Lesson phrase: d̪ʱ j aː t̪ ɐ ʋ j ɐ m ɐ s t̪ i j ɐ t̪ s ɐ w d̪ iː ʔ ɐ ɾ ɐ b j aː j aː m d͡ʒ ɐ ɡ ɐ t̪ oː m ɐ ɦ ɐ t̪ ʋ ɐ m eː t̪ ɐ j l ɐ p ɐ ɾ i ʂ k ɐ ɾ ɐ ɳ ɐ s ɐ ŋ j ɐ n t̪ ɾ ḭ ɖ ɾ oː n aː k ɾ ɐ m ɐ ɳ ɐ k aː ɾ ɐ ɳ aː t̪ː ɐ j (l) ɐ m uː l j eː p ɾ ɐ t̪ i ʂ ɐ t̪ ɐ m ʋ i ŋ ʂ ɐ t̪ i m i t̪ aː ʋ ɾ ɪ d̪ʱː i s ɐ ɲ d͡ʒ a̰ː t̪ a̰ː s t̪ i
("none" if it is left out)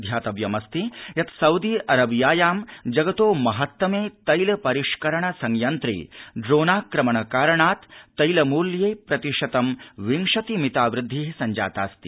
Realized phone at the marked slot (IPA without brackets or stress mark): l